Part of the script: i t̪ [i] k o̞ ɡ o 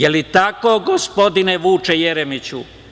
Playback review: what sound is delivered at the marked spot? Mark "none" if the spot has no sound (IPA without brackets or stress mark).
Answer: a